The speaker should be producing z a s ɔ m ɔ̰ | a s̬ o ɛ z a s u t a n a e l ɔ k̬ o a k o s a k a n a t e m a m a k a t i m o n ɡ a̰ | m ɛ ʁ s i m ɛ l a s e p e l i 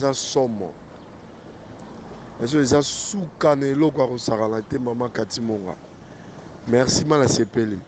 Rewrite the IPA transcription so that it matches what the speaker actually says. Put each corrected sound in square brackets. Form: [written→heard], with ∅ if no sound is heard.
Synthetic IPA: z a s ɔ m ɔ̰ | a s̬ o [ɛ→e] z a s u [t→k] a n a e l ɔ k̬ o a k o s a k a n a t e m a m a k a t i m o [n→ŋ] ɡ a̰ | m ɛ ʁ s i m [ɛ→a] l a s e p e l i